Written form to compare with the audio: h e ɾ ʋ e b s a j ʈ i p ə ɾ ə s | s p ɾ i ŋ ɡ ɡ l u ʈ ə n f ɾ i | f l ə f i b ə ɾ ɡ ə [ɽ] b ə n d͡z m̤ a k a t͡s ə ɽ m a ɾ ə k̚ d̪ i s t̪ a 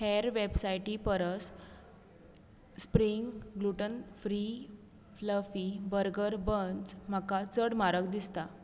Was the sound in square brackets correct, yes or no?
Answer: no